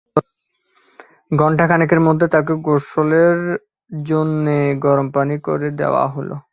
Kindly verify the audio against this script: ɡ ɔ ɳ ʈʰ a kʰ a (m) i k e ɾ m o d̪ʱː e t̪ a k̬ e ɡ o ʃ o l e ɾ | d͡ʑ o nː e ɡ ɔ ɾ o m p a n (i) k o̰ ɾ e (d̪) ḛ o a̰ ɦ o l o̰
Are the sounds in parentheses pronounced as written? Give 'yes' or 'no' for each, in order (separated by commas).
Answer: no, yes, yes